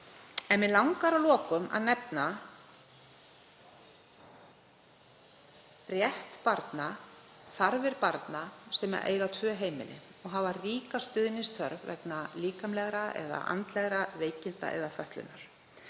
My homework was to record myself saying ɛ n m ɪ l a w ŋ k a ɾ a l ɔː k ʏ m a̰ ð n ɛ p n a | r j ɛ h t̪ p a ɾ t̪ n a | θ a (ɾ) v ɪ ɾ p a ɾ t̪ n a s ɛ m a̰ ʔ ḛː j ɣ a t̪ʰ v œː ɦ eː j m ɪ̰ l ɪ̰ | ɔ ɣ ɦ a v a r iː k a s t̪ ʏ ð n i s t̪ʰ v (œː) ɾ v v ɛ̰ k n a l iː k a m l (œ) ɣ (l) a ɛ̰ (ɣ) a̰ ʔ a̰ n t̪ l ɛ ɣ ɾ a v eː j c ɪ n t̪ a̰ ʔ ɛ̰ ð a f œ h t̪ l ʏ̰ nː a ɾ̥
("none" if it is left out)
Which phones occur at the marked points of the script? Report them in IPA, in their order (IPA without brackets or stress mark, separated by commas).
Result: ɾ, œ, ɛ, ɾ, ð